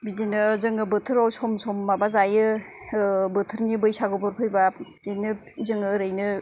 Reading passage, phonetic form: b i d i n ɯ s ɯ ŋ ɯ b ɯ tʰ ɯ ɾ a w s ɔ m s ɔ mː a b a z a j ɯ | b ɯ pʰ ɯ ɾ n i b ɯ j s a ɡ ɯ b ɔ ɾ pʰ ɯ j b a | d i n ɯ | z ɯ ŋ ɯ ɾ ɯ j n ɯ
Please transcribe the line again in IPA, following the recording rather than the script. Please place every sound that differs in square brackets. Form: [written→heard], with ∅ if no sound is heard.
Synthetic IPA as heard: b i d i n ɯ [s→z] ɯ ŋ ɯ b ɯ tʰ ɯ ɾ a w s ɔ m s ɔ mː a b a z a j ɯ | b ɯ [pʰ→tʰ] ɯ ɾ n i b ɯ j s a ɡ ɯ b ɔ ɾ pʰ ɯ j b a | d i n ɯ | z ɯ ŋ ɯ ɾ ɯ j n ɯ